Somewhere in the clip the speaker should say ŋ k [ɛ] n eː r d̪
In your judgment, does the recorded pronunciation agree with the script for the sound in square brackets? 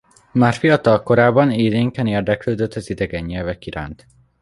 yes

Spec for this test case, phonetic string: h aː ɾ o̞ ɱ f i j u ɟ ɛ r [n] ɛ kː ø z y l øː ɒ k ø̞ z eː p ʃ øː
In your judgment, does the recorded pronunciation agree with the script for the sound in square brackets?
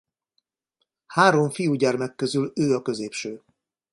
no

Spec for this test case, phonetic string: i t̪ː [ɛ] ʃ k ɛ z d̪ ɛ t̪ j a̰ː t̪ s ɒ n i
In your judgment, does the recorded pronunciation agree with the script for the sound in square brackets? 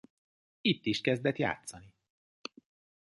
no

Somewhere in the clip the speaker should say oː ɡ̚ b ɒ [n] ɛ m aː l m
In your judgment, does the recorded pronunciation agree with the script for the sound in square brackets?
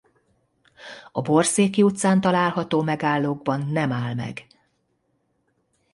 no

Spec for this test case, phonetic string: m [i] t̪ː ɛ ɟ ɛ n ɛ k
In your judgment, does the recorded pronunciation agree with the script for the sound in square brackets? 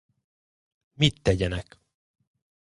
yes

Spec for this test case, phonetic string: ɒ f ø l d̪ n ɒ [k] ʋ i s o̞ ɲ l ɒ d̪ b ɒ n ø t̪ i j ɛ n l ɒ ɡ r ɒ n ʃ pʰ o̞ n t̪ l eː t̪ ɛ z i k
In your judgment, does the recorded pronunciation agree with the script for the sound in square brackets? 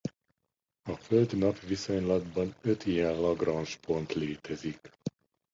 no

